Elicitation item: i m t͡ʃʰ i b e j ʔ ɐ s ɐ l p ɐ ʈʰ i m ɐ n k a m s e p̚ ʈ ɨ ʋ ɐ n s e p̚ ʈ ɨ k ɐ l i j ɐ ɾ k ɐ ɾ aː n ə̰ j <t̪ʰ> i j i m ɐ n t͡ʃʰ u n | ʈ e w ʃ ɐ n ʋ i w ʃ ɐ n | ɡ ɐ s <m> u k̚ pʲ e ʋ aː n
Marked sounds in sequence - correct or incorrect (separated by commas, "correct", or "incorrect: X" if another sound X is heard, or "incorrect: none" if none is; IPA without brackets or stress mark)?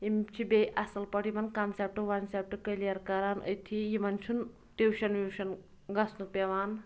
correct, incorrect: n